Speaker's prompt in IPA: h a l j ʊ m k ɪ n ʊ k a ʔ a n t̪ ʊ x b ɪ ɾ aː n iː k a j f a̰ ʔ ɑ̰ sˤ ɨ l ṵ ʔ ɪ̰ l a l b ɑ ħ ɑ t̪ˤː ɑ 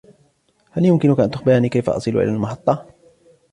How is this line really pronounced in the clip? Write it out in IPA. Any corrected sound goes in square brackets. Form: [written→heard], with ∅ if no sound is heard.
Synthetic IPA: h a l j ʊ m k ɪ n ʊ k a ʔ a n t̪ ʊ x b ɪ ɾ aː n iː k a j f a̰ ʔ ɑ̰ sˤ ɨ l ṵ ʔ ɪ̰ l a l [b→m] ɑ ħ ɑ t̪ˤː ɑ